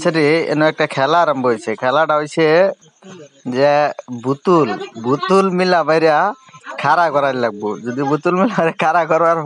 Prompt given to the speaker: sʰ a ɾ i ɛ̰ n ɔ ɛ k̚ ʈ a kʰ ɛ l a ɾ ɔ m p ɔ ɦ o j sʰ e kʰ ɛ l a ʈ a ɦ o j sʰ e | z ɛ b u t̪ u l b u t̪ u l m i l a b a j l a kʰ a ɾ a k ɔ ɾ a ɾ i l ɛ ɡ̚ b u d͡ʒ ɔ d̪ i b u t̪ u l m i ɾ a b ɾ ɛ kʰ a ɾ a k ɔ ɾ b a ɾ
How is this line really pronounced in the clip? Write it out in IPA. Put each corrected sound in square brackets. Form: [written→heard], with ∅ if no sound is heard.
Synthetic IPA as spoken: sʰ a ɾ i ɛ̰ n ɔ ɛ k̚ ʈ a kʰ ɛ l a ɾ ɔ m [p→b] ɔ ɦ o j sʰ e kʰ ɛ l a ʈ a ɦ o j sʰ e | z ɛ b u t̪ u l b u t̪ u l m i l a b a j [l→ɾ] a kʰ a ɾ a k ɔ ɾ a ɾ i l [ɛ→a] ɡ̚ b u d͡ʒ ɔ d̪ i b u t̪ u l m i [ɾ→l] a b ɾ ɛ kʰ a ɾ a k ɔ ɾ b a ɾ